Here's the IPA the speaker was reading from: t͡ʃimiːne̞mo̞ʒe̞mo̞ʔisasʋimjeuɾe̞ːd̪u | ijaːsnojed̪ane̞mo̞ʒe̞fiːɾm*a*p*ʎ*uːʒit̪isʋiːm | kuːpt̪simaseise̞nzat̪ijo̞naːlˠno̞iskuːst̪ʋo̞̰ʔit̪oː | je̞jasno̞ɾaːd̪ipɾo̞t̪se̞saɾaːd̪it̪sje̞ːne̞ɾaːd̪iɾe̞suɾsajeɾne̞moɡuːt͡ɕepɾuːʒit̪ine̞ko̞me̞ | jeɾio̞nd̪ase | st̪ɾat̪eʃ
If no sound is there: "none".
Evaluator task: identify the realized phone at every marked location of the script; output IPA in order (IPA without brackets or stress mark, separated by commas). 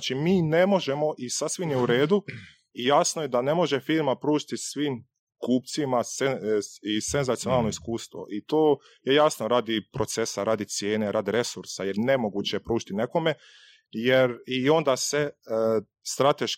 a, ɾ